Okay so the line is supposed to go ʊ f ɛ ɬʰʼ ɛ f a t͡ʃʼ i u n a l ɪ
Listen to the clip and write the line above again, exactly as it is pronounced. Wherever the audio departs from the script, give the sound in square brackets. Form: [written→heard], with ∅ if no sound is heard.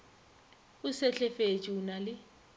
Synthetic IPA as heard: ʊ [f→s] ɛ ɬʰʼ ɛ f [a→e] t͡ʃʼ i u n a l ɪ